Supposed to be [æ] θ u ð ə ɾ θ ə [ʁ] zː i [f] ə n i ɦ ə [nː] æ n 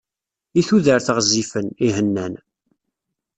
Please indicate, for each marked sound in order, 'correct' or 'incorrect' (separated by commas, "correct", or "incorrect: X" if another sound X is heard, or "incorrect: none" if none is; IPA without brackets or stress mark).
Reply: incorrect: i, correct, correct, correct